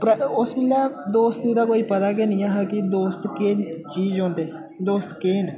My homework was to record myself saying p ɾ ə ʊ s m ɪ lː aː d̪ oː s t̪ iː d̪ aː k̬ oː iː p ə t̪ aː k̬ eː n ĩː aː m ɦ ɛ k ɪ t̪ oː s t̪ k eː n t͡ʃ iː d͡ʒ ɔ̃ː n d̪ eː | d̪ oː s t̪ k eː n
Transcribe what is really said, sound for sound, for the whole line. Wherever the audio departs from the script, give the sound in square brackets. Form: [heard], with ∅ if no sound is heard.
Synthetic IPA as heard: p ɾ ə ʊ s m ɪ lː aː d̪ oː s t̪ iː d̪ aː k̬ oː iː p ə t̪ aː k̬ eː n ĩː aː [∅] ɦ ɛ k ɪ [d̪] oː s t̪ k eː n t͡ʃ iː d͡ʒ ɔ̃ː n d̪ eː | d̪ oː s t̪ k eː n